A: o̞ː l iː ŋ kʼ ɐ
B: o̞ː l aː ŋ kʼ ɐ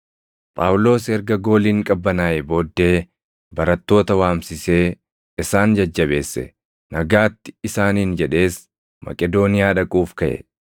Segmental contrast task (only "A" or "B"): A